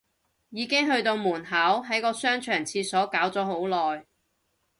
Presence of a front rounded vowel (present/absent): present